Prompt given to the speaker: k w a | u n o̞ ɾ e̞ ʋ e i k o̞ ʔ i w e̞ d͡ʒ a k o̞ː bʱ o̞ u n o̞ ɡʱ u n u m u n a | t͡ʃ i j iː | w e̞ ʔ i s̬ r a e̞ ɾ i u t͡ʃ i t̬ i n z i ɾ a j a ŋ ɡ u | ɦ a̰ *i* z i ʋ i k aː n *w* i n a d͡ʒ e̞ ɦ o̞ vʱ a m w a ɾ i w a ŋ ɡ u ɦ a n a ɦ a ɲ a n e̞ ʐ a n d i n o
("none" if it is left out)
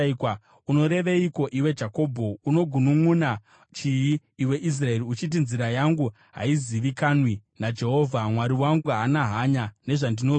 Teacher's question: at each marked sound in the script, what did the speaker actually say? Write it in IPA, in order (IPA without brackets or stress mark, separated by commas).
i, w